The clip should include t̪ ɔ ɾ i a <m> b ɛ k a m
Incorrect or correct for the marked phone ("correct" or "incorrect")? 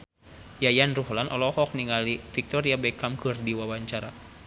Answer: incorrect